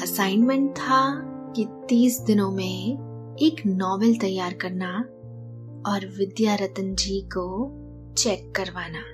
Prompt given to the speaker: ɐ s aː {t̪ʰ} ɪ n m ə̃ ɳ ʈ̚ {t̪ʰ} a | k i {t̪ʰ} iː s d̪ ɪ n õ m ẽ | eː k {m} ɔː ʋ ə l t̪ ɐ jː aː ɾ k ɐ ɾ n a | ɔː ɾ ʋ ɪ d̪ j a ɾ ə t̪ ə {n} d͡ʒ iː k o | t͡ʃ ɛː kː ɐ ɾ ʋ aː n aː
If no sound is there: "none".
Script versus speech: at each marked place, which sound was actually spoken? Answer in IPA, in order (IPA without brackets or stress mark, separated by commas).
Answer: none, t̪ʰ, t̪, n, n